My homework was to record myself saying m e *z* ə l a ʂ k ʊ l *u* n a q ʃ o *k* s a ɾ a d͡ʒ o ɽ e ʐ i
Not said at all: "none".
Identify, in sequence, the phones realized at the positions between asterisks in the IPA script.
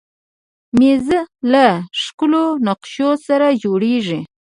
z, o, none

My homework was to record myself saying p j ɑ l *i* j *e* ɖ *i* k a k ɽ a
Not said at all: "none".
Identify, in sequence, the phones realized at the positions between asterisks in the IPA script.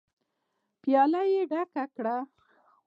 a, e, a

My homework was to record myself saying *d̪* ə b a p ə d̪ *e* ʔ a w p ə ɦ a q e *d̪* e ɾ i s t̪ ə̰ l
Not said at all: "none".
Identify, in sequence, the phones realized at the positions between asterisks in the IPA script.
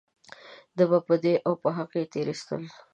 d̪, e, t̪

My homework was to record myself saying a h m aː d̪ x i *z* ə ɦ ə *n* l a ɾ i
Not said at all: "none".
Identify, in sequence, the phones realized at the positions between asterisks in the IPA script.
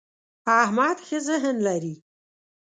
z, n

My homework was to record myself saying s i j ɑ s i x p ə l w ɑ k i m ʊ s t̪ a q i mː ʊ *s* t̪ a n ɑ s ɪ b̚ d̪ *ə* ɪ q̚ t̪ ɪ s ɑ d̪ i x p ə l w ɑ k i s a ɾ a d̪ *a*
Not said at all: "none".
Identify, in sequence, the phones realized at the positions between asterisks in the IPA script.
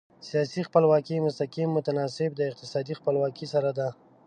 none, ə, a

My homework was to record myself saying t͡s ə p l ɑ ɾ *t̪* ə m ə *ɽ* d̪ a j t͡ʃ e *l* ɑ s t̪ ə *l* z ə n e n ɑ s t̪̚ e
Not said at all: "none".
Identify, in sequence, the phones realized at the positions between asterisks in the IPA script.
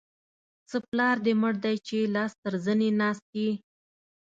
d̪, ɽ, l, ɾ

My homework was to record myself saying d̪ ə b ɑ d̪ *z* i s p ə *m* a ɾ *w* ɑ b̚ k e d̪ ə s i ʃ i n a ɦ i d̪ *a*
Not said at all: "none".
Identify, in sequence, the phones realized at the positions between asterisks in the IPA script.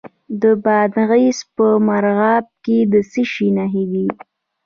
ɣ, m, ɣ, i

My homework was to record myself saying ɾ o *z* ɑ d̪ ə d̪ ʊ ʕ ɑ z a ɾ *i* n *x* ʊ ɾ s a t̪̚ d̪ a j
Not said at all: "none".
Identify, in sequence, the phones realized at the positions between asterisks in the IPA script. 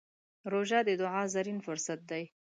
ʒ, i, f

